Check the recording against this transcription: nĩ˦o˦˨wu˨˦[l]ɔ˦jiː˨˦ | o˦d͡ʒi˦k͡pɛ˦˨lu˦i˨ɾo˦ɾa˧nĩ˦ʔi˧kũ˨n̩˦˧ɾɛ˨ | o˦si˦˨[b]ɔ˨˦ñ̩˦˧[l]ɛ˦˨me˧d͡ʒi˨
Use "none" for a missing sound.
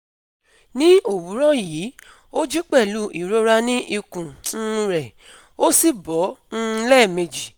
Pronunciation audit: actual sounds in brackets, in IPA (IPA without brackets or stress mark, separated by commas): ɾ, b, l